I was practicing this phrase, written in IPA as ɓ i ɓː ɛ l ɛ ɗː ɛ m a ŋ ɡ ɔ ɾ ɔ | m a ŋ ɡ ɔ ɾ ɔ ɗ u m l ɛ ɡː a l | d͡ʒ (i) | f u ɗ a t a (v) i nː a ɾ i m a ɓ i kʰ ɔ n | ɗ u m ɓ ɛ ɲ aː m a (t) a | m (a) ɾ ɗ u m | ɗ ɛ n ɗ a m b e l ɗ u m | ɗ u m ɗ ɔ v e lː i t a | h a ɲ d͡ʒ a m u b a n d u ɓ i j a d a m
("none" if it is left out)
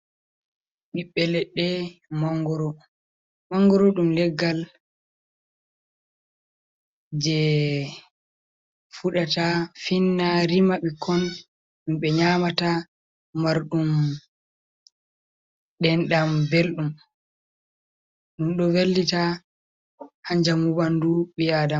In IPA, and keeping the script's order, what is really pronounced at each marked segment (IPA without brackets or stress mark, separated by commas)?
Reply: ɛ, f, t, a